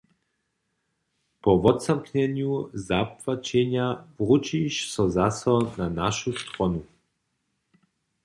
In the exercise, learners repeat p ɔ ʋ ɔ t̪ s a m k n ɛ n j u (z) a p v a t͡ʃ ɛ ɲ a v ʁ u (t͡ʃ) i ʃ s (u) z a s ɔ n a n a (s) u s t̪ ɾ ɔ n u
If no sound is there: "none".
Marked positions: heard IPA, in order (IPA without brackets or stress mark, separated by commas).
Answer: z, t͡ʃ, ɔ, ʃ